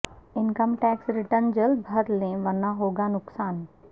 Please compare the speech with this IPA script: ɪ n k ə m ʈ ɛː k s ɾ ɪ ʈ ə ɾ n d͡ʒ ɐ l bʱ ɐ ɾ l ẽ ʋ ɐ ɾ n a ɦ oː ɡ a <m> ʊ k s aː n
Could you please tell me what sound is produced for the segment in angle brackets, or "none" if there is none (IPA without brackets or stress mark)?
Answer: n